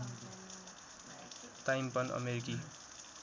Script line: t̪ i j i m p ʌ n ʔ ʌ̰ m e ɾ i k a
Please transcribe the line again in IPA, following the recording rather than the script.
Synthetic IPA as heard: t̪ a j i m p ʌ n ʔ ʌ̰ m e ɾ i k i